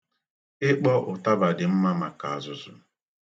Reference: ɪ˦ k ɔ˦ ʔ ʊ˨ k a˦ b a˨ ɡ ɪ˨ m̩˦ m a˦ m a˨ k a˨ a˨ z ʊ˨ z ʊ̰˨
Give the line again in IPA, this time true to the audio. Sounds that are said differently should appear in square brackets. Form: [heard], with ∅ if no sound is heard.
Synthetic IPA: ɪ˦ [k͡p] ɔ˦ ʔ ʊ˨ [t] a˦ b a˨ [d] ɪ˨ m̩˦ m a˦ m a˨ k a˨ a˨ z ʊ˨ z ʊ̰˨